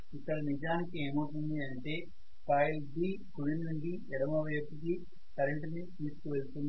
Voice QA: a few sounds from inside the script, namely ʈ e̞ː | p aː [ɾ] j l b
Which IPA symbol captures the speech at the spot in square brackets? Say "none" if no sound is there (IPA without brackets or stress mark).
none